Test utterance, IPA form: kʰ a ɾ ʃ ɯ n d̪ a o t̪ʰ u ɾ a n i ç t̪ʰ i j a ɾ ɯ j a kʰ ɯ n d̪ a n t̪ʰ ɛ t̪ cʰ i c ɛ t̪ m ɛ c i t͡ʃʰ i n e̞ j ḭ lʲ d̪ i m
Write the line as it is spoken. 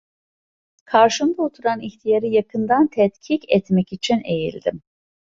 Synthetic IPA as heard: kʰ a ɾ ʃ ɯ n d̪ a o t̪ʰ u ɾ a n i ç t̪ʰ i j a ɾ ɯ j a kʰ ɯ n d̪ a n t̪ʰ ɛ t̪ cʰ i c ɛ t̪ m ɛ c i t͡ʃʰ i n e̞ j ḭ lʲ d̪ i m